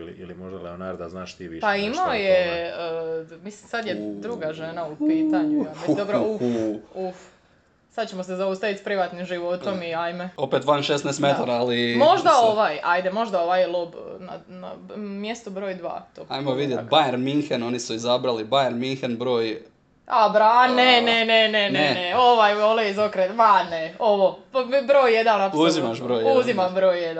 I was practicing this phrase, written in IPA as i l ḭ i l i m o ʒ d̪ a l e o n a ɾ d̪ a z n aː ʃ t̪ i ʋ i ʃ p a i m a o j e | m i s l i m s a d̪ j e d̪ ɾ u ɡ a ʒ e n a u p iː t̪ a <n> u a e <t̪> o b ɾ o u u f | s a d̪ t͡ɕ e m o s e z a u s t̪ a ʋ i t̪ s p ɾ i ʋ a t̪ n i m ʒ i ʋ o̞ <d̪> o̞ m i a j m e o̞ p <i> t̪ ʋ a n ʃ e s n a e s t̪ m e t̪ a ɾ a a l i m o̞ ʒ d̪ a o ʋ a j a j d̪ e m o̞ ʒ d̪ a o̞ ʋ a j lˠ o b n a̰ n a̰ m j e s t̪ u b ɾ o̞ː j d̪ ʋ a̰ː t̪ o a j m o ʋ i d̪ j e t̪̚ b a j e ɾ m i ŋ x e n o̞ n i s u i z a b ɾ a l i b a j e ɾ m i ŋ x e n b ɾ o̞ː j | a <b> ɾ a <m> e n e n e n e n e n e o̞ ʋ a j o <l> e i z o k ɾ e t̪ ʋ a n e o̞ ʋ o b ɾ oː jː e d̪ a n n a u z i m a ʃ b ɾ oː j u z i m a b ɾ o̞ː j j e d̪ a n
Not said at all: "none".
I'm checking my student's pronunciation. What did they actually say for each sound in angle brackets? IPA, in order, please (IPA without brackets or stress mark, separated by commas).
ɲ, d̪, t̪, e, b, n, l